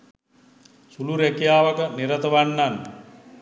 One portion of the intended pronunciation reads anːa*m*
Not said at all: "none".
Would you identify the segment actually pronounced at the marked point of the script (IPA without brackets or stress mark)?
n